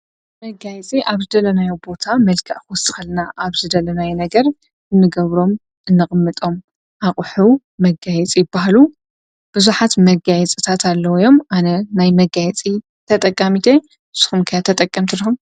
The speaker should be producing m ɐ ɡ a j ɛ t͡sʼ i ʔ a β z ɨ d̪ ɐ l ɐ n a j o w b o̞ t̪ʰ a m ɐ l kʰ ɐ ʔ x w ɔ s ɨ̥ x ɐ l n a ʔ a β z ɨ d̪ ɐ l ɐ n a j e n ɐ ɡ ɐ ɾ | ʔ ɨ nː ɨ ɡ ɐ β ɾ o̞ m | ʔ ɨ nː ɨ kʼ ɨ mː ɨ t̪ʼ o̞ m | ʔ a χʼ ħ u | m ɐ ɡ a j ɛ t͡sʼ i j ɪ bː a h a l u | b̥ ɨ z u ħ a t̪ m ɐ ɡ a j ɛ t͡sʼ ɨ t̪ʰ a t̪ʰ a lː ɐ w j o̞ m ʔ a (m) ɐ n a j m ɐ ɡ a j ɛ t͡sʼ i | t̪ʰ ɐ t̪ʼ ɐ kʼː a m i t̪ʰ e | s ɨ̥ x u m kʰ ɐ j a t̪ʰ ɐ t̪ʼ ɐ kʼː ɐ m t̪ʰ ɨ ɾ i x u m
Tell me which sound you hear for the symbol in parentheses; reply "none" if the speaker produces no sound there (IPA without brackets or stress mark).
n